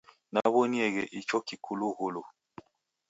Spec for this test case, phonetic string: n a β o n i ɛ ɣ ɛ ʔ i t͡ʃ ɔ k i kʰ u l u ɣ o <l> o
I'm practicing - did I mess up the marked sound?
no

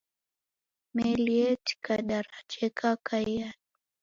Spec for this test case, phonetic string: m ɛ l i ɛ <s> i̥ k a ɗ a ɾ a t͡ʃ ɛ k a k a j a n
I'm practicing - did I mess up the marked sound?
yes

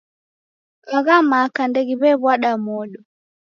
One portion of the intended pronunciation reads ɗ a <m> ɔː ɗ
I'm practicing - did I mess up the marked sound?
no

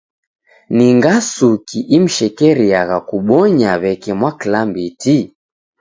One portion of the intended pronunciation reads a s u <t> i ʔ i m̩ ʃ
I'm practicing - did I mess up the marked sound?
yes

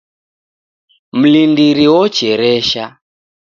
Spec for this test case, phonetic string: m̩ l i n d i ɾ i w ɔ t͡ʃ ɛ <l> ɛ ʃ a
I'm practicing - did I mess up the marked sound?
yes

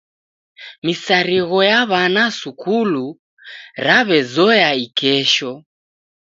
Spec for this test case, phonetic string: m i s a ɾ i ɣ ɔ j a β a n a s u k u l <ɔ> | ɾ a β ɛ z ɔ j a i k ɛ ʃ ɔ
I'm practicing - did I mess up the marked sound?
yes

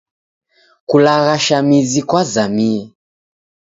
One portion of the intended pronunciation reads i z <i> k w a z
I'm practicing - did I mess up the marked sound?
no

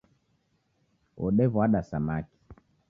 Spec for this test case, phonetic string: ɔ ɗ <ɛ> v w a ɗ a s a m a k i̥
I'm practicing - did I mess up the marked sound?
no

